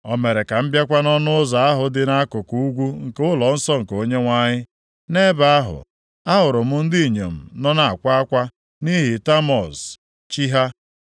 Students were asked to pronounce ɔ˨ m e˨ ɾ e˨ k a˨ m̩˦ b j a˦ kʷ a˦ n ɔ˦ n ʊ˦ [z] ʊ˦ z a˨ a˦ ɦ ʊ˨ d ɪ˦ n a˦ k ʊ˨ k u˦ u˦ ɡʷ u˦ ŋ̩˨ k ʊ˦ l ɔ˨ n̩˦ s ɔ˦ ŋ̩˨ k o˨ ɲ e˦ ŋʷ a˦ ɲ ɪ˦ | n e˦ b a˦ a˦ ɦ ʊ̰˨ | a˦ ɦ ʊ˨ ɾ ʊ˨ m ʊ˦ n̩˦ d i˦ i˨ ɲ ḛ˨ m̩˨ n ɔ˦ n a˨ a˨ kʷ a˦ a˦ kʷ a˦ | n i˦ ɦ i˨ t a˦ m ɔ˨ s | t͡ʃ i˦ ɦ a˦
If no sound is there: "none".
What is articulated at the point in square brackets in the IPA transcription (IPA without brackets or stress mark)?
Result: none